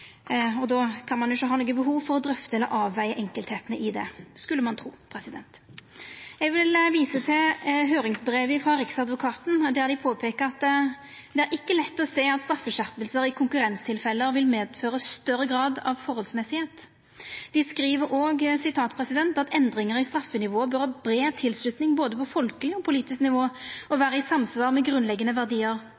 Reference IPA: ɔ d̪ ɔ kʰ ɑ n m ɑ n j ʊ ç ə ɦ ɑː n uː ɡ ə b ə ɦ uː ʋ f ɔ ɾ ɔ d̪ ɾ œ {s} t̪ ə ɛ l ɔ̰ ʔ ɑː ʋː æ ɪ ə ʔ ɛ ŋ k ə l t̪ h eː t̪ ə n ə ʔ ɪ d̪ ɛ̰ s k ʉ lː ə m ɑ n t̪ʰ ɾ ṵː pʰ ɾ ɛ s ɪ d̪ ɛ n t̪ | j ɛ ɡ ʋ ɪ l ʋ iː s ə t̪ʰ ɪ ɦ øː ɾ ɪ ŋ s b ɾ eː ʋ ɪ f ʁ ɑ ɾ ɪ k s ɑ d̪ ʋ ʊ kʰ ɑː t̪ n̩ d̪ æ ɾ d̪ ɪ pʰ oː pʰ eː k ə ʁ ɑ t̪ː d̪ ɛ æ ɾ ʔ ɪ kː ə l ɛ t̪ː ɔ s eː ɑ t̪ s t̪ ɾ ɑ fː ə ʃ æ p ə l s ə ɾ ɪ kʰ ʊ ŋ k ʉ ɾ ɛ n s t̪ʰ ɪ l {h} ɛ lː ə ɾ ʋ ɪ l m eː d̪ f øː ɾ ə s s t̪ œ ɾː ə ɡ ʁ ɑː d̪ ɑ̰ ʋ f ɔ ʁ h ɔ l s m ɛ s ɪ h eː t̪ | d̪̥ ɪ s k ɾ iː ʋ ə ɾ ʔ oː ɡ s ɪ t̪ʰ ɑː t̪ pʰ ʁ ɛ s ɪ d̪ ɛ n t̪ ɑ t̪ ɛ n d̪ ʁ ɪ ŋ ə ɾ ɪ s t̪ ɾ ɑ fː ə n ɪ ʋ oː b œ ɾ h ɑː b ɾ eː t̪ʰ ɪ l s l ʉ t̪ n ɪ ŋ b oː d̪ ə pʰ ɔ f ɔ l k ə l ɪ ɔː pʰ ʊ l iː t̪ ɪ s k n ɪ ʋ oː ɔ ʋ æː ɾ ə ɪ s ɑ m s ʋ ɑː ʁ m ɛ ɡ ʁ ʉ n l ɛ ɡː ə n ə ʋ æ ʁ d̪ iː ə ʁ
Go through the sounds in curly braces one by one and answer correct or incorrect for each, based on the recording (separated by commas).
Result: incorrect, incorrect